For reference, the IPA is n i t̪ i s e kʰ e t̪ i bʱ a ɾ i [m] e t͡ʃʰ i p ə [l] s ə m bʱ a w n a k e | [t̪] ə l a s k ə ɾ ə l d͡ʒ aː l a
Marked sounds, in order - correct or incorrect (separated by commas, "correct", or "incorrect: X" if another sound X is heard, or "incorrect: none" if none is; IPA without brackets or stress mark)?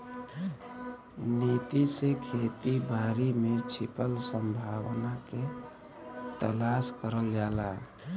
correct, correct, correct